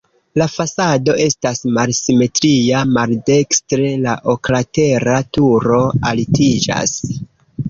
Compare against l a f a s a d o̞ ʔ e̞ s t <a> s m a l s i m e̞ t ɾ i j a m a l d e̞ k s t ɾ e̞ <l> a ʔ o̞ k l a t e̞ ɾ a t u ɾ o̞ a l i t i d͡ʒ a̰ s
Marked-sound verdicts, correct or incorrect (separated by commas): correct, correct